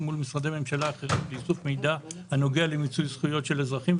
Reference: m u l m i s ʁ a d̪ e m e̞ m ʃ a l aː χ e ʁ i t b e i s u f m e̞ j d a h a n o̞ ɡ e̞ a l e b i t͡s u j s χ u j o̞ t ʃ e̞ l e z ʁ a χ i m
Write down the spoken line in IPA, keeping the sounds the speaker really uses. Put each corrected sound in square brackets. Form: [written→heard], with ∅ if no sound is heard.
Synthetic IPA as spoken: m u l m i s ʁ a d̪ e m e̞ m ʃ a l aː χ e ʁ i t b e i s u f m e̞ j d a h a n o̞ ɡ e̞ a l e [b→m] i t͡s u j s χ u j o̞ t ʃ e̞ l e z ʁ a χ i m